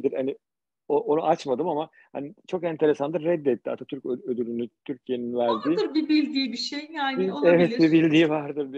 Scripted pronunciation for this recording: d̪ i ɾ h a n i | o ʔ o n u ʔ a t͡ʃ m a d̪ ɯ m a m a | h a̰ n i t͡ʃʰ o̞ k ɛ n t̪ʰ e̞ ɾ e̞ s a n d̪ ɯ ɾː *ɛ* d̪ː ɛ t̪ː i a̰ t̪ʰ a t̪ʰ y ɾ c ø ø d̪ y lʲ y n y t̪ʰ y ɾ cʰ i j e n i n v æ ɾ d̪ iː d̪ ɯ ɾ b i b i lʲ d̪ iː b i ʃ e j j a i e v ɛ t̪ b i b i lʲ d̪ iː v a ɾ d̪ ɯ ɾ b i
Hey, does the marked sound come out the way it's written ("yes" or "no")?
yes